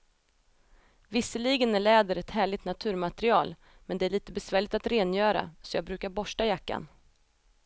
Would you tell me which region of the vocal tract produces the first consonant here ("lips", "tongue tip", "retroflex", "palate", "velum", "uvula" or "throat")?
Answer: lips